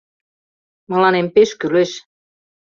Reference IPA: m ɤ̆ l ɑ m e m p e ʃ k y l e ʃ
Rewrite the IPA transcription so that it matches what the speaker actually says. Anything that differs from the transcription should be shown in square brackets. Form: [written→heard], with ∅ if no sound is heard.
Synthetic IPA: m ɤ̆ l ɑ [m→n] e m p e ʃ k y l e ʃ